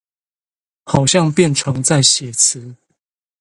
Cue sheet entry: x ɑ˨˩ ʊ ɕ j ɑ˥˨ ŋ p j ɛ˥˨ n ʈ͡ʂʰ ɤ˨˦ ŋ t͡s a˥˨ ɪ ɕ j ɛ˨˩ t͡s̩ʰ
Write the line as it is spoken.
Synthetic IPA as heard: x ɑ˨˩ ʊ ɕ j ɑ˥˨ ŋ p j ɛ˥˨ n ʈ͡ʂʰ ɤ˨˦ ŋ t͡s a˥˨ ɪ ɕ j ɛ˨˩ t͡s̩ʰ